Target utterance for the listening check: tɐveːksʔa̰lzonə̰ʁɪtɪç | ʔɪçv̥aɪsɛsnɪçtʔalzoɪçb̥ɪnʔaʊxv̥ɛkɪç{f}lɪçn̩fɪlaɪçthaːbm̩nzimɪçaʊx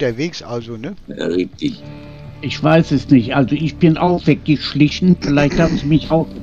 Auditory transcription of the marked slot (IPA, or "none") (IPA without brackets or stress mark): ʃ